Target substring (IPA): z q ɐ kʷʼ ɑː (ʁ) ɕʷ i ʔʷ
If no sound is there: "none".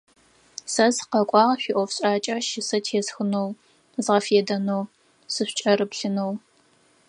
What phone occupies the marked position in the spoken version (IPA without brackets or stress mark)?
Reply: ʁ